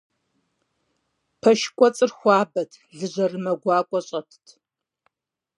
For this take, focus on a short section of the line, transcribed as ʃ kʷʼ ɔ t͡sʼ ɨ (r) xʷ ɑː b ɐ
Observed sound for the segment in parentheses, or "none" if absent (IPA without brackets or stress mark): r